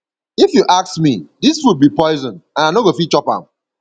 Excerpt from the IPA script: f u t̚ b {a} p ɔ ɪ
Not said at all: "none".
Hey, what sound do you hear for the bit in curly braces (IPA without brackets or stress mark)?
i